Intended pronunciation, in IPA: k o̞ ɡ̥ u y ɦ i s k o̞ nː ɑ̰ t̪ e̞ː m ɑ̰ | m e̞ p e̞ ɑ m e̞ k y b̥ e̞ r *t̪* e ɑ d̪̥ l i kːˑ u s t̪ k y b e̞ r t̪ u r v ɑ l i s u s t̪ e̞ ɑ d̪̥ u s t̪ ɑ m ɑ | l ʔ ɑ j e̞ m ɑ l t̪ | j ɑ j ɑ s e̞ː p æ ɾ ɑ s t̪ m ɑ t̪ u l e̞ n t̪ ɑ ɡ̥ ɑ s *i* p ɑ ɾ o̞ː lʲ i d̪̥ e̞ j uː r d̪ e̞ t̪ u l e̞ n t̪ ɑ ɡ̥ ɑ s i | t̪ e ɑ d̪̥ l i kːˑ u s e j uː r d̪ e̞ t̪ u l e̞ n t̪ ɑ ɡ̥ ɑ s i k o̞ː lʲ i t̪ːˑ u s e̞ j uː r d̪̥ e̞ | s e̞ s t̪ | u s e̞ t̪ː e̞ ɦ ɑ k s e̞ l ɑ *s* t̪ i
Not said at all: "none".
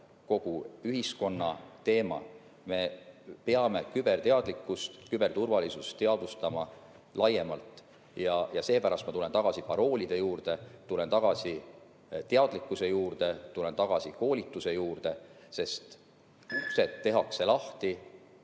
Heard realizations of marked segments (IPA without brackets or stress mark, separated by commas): t̪, i, h